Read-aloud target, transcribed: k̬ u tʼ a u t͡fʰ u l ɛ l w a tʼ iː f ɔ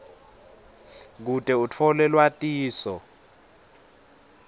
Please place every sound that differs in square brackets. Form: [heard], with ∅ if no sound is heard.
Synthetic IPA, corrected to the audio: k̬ u tʼ [ɛ] u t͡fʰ [ɔ] l ɛ l w a tʼ iː [s] ɔ

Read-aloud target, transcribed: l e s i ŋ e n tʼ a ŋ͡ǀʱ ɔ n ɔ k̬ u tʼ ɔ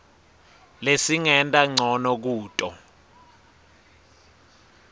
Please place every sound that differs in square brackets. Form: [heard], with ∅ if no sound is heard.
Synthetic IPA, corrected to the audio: l e s i ŋ [ɛ] n tʼ a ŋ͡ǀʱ ɔ n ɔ k̬ [uː] tʼ ɔ

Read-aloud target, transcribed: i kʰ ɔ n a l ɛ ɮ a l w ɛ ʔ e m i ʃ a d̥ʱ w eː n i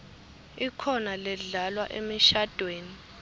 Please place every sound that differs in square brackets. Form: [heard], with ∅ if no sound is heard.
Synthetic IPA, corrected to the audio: i kʰ ɔ n a l ɛ ɮ a l w [a] ʔ e m i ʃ a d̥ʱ w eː n i

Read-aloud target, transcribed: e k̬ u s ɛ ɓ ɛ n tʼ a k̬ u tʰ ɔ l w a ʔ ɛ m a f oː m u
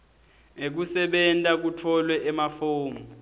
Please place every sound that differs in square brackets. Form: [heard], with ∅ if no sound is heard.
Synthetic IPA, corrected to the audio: e k̬ u s ɛ ɓ ɛ n tʼ a k̬ u tʰ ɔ l w [ɛ] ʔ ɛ m a f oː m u

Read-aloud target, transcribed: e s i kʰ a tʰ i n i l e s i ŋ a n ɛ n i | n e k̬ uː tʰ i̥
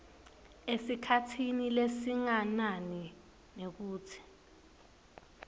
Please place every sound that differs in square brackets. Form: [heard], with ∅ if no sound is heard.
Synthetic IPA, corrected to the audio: e s i kʰ a tʰ i n i l e s i ŋ a n [a] n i | n e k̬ uː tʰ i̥

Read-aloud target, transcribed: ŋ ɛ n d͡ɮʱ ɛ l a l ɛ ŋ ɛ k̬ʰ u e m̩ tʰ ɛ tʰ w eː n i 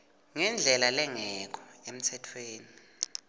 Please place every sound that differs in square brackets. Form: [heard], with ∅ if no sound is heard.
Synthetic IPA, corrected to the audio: ŋ ɛ n d͡ɮʱ ɛ l a l ɛ ŋ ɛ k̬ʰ [ɔ] e m̩ tʰ ɛ tʰ w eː n i

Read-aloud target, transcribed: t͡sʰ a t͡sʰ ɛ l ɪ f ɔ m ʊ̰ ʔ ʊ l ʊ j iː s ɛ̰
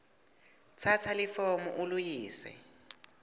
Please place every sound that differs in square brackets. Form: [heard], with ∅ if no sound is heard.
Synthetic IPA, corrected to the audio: t͡sʰ a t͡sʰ [a] l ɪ f ɔ m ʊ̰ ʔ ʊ l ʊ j iː s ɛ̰

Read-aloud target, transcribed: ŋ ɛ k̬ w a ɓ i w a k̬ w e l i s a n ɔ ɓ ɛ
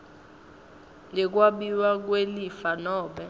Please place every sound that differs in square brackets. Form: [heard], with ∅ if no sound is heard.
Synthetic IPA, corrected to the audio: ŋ ɛ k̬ w a ɓ i w a k̬ w e l i [f] a n [ɔː] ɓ ɛ

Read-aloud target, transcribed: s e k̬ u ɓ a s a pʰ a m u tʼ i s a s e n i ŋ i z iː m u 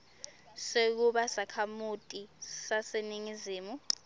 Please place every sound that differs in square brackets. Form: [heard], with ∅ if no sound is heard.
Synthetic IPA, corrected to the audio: s e k̬ u ɓ a s a [kʰ] a m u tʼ i s a s e n i ŋ i z iː m u

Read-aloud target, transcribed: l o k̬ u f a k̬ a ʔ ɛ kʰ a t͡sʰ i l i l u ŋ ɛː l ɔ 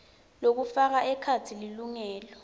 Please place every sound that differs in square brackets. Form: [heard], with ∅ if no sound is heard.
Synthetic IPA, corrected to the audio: l o k̬ u f a k̬ a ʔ ɛ kʰ a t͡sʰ i l i l u ŋ ɛː l ɔ

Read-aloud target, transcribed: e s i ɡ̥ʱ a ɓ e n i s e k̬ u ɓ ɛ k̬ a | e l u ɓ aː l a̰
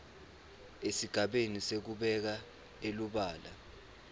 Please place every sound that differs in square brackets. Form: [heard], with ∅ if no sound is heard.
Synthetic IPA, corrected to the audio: e s i ɡ̥ʱ a ɓ e n i s e k̬ u ɓ ɛ k̬ a | e l u ɓ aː l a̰

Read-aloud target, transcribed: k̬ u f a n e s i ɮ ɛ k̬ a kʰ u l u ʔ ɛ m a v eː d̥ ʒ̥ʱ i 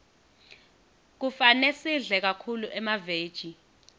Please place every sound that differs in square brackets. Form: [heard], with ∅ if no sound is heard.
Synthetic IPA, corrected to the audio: k̬ u f a n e s i ɮ ɛ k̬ a kʰ u l u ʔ ɛ m a v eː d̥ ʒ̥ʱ i

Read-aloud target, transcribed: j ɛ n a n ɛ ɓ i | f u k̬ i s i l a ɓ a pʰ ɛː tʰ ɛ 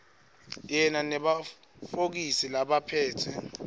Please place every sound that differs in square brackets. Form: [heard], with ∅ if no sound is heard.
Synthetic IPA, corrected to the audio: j ɛ n a n ɛ ɓ [a] | f [o] k̬ i s i l a ɓ a pʰ ɛː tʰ ɛ

